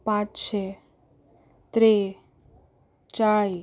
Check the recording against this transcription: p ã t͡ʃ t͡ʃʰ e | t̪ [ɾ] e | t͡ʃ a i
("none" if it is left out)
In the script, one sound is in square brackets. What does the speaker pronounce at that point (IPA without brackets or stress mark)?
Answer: ɾ